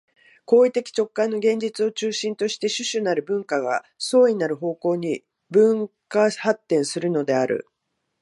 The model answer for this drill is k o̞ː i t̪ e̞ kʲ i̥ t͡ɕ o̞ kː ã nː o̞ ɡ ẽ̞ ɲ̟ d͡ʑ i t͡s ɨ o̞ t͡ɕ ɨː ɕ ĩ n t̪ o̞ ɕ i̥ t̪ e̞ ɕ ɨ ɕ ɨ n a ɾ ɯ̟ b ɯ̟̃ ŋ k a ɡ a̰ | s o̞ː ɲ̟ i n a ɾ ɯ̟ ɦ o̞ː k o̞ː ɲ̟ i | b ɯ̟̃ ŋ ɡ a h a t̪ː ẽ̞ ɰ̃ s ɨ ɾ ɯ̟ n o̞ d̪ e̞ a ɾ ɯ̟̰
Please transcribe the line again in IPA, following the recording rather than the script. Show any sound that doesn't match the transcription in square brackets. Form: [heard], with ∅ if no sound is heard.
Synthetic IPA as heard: k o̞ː i t̪ e̞ kʲ i̥ t͡ɕ o̞ kː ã nː o̞ ɡ ẽ̞ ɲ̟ d͡ʑ i t͡s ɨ o̞ t͡ɕ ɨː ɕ ĩ n t̪ o̞ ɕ i̥ t̪ e̞ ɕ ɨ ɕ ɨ n a ɾ ɯ̟ b ɯ̟̃ ŋ k a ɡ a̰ | s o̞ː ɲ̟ i n a ɾ ɯ̟ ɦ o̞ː k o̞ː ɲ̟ i | b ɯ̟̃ ŋ [k] a h a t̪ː ẽ̞ ɰ̃ s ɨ ɾ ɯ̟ n o̞ d̪ e̞ a ɾ ɯ̟̰